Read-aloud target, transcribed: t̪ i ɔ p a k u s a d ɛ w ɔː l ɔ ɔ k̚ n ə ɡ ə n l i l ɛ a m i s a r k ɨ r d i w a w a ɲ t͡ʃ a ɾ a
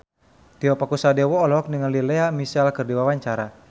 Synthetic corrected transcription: t̪ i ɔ p a k u s a d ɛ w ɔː l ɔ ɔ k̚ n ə ŋ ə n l i l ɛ a m i s a l k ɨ r d i w a w a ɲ t͡ʃ a ɾ a